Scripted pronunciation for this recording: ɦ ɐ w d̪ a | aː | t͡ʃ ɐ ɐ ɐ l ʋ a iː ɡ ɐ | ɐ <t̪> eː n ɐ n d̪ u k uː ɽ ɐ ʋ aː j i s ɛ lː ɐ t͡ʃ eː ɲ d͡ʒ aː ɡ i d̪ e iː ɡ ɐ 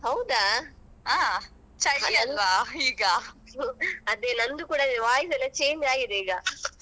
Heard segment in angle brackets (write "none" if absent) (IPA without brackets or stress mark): d̪